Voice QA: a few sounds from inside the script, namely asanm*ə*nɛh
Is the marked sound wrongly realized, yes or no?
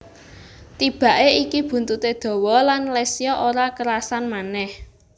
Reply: yes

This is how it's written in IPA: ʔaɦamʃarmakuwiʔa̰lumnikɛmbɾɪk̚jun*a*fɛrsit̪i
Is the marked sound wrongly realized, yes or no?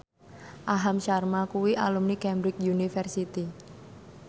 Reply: yes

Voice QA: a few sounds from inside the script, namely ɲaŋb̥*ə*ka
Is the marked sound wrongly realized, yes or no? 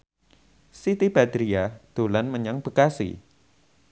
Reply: no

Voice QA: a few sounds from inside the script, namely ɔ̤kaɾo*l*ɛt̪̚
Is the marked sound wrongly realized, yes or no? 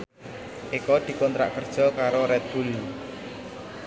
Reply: yes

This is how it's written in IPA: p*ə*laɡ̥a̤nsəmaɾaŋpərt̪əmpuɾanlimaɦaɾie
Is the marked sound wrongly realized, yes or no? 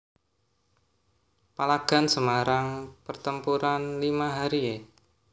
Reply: yes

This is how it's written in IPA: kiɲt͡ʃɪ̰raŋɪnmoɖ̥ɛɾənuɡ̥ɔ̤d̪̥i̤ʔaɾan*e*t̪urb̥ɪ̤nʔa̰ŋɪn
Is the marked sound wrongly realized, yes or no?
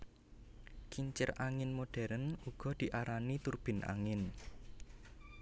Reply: yes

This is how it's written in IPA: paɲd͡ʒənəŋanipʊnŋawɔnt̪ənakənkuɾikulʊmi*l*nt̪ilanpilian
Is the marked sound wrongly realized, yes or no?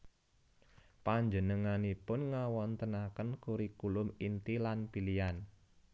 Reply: yes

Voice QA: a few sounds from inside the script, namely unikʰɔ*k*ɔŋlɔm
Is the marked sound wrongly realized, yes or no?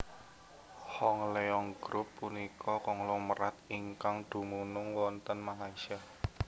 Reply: no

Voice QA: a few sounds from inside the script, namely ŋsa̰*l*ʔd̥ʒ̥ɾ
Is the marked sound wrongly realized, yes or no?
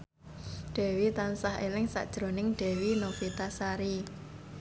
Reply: yes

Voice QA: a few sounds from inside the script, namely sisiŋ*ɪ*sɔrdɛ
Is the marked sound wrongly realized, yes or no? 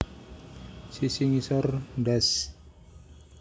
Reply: yes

